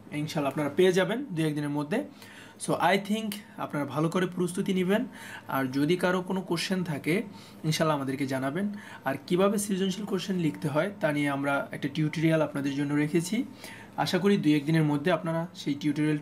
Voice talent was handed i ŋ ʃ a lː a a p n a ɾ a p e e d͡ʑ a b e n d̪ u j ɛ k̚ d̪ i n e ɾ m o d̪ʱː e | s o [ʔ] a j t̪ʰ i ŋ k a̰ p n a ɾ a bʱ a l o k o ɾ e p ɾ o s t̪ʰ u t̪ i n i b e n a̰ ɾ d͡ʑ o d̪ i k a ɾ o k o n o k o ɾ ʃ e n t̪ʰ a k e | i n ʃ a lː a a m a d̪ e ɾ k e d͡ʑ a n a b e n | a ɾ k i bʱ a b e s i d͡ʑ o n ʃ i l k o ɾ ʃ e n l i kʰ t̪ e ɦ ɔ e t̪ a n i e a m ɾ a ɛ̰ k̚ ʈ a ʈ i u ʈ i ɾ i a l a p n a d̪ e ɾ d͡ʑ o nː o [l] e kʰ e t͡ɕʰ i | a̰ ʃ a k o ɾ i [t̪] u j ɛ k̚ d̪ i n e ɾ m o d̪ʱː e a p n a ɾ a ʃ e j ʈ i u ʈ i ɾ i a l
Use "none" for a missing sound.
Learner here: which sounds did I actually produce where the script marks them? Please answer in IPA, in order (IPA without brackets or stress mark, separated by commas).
ʔ, ɾ, d̪